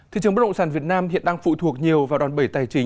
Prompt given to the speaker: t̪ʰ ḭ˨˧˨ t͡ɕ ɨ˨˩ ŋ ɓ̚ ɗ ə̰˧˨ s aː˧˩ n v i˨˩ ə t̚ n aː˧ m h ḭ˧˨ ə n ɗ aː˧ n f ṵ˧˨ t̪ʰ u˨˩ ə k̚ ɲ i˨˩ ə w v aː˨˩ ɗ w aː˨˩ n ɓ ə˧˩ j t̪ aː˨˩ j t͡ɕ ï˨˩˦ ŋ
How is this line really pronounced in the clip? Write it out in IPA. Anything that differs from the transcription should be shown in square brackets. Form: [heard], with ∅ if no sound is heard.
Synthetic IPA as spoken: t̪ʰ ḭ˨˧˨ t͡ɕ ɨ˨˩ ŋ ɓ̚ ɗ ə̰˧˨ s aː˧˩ n v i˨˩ ə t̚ n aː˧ m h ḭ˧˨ ə n ɗ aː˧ [ŋ] f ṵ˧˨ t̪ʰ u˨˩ ə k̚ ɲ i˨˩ ə w v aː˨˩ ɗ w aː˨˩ n ɓ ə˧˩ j t̪ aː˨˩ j t͡ɕ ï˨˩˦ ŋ